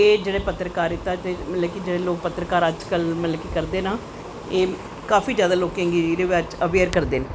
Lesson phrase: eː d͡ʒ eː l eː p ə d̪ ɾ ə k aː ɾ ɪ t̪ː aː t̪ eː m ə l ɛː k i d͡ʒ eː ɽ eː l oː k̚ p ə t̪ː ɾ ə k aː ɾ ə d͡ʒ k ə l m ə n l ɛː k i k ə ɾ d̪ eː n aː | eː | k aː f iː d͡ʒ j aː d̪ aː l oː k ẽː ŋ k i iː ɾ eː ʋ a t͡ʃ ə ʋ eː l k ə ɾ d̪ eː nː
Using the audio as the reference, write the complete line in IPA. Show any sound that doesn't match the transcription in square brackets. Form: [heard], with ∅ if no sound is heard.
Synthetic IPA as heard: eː d͡ʒ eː [ɽ] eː p ə [t̪] ɾ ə k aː ɾ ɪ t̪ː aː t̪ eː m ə l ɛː k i d͡ʒ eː ɽ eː l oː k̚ p ə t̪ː ɾ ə k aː ɾ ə d͡ʒ k ə l m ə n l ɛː k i k ə ɾ d̪ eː n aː | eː | k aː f iː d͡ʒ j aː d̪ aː l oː k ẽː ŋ [ɡ] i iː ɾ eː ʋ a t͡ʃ ə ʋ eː [ɾ] k ə ɾ d̪ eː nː

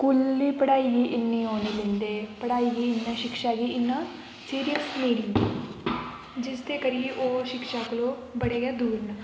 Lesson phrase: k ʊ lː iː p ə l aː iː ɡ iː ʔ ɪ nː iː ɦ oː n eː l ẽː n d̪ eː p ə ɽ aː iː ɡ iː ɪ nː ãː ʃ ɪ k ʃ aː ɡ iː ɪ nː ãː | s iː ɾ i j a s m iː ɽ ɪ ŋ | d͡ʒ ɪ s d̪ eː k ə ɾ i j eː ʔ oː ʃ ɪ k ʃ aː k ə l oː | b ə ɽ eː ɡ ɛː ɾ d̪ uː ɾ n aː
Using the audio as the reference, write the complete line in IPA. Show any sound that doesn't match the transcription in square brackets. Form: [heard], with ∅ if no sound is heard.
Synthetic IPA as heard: k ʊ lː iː p ə [ɽ] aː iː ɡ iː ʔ ɪ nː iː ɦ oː n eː l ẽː n d̪ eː p ə ɽ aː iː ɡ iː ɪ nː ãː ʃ ɪ k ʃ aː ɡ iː ɪ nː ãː | s iː ɾ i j [ə] s m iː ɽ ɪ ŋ | d͡ʒ ɪ s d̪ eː k ə ɾ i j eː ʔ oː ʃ ɪ k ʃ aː k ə l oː | b ə ɽ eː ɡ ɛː [∅] d̪ uː ɾ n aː

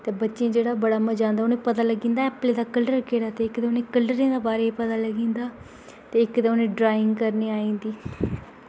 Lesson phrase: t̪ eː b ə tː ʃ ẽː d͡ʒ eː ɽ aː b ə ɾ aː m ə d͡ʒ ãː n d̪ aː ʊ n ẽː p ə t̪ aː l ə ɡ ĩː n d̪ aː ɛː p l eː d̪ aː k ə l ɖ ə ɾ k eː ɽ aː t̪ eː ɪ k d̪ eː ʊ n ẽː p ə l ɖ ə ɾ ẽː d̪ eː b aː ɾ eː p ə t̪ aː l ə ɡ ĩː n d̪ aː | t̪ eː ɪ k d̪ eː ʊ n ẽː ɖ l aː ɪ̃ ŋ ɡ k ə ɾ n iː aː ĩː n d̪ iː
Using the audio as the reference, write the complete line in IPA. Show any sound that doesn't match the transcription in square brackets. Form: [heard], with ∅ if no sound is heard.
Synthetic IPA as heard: t̪ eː b ə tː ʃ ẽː d͡ʒ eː ɽ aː b ə [ɽ] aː m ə d͡ʒ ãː n d̪ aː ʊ n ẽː p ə t̪ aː l ə ɡ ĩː n d̪ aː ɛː p l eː d̪ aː k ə l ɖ ə ɾ k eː ɽ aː t̪ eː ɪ k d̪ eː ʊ n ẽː [k] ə l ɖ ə ɾ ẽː d̪ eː b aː ɾ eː p ə t̪ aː l ə ɡ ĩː n d̪ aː | t̪ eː ɪ k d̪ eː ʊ n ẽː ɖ [ɾ] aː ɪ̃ ŋ ɡ k ə ɾ n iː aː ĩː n d̪ iː

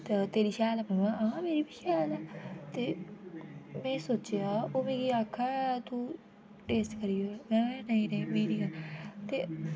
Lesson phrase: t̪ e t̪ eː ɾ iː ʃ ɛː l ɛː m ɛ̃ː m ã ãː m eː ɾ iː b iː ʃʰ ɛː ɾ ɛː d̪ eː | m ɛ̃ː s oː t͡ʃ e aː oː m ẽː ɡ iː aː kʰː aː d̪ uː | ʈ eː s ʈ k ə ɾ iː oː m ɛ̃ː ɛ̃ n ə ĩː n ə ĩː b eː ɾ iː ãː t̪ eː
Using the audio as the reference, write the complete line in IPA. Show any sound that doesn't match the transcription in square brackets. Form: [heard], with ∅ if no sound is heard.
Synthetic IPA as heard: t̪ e t̪ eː ɾ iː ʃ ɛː l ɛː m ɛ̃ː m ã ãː m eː ɾ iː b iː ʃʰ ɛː [l] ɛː [t̪] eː | m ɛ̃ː s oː t͡ʃ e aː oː m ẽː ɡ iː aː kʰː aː [t̪] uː | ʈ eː s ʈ k ə ɾ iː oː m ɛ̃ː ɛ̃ n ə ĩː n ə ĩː [m] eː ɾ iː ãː t̪ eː

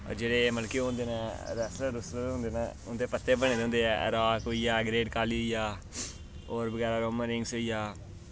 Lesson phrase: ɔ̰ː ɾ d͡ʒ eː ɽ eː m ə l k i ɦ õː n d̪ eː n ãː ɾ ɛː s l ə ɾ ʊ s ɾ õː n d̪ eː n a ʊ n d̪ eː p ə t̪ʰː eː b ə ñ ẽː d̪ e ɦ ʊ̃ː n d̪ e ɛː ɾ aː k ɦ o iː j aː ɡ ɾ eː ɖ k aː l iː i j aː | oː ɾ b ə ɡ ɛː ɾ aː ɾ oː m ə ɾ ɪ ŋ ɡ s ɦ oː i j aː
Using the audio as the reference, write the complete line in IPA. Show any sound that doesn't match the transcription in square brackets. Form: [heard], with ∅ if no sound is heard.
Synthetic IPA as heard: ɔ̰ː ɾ d͡ʒ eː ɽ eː m ə l k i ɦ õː n d̪ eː n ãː ɾ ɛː s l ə ɾ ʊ s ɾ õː n d̪ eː n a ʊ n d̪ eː p ə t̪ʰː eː b ə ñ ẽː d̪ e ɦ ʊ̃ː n d̪ e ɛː ɾ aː k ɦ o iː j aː ɡ ɾ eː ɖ k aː l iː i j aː | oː ɾ b ə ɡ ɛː ɾ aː ɾ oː m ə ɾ ɪ ŋ ɡ s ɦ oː i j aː

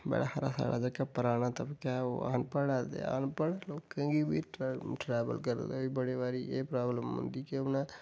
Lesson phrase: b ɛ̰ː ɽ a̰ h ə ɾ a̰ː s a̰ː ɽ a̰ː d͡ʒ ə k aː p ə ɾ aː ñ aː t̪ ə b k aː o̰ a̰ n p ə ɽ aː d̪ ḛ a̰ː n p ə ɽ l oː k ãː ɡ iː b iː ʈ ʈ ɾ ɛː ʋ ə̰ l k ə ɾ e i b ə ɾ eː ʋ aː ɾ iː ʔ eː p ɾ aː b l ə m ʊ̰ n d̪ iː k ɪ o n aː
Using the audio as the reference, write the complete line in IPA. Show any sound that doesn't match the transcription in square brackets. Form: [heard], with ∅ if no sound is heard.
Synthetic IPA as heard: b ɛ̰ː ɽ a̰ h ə ɾ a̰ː s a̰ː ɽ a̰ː d͡ʒ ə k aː p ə ɾ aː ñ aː t̪ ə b k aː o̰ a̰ n p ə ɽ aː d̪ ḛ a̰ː n p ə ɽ l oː k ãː ɡ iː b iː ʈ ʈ ɾ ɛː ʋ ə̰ l k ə ɾ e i b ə [ɽ] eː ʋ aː ɾ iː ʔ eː p ɾ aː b l ə m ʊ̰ n d̪ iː k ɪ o n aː

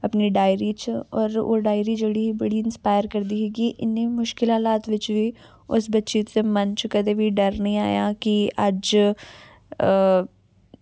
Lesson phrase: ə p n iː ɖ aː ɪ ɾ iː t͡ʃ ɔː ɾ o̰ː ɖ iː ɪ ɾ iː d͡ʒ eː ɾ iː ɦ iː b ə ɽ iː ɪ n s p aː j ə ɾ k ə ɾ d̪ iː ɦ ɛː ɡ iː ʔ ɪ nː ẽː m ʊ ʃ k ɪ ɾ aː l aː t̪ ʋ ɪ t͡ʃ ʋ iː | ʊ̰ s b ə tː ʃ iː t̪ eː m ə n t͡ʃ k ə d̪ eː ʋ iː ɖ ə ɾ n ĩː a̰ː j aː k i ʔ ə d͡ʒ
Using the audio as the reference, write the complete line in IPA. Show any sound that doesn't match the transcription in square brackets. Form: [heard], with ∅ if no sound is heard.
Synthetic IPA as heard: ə p n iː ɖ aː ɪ ɾ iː t͡ʃ ɔː ɾ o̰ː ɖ [aː] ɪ ɾ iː d͡ʒ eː [ɽ] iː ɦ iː b ə ɽ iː ɪ n s p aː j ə ɾ k ə ɾ d̪ iː ɦ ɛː ɡ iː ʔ ɪ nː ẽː m ʊ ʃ k ɪ [l] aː l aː t̪ ʋ ɪ t͡ʃ ʋ iː | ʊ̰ s b ə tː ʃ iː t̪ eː m ə n t͡ʃ k ə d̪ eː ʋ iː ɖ ə ɾ n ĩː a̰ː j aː k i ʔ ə d͡ʒ

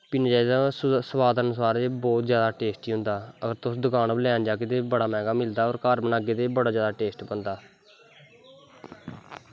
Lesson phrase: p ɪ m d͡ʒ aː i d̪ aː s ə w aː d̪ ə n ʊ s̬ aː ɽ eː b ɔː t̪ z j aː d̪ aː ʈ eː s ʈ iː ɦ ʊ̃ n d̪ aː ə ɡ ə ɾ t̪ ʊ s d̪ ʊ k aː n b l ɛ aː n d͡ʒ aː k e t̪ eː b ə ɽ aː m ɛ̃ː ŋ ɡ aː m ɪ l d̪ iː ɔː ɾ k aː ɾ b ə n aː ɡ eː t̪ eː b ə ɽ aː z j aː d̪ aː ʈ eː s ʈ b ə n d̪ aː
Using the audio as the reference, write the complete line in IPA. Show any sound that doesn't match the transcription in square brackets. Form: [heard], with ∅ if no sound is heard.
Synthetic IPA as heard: p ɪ [n] d͡ʒ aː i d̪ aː s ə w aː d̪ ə n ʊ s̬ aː [ɾ] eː b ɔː t̪ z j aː d̪ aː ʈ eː s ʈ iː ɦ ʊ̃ n d̪ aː ə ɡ ə ɾ t̪ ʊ s d̪ ʊ k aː n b l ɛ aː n d͡ʒ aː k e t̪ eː b ə ɽ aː m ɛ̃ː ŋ ɡ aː m ɪ l d̪ [aː] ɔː ɾ k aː ɾ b ə n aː ɡ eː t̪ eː b ə ɽ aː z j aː d̪ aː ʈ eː s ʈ b ə n d̪ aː

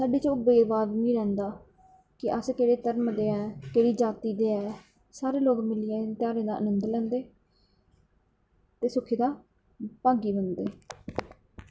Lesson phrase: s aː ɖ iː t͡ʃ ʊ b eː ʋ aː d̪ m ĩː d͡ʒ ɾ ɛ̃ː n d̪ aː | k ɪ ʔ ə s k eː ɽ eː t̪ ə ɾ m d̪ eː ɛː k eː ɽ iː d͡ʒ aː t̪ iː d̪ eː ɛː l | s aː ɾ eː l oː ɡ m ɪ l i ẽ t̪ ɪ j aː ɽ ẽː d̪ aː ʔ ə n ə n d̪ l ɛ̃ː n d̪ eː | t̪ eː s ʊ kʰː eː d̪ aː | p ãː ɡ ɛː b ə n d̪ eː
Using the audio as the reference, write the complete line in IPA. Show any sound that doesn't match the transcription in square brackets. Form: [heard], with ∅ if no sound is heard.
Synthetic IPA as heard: s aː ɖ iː t͡ʃ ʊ b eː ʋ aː d̪ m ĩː [∅] ɾ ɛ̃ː n d̪ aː | k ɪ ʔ ə s k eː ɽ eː t̪ ə ɾ m d̪ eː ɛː k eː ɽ iː d͡ʒ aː t̪ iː d̪ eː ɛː [∅] | s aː ɾ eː l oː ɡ m ɪ l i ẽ t̪ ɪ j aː [ɾ] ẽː d̪ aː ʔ ə n ə n d̪ l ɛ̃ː n d̪ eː | t̪ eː s ʊ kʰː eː d̪ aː | p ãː ɡ [iː] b ə n d̪ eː

